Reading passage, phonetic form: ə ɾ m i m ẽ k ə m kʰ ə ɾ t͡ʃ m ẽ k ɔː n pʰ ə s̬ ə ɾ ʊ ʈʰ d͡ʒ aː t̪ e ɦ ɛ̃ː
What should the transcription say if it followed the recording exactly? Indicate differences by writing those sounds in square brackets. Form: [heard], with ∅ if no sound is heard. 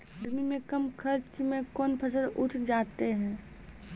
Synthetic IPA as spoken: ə ɾ m i m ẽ k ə m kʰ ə ɾ t͡ʃ m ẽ k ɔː n pʰ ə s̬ ə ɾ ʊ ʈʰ d͡ʒ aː t̪ e ɦ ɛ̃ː